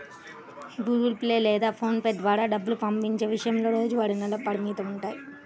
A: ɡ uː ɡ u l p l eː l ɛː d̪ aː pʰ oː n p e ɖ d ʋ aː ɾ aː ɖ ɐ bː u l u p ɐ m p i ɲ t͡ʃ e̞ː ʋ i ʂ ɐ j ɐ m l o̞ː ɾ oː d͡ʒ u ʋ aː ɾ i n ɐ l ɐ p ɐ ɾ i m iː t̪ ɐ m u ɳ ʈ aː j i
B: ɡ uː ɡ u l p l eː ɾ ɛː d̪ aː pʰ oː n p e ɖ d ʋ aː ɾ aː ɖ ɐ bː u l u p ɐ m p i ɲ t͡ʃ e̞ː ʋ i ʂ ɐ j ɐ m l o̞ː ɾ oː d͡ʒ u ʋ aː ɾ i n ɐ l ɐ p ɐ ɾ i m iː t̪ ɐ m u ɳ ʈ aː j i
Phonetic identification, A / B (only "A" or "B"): A